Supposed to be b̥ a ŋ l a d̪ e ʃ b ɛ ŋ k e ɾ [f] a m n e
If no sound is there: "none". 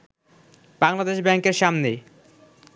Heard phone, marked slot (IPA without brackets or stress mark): ʃ